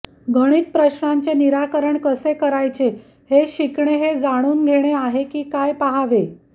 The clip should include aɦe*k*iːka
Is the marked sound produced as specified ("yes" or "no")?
yes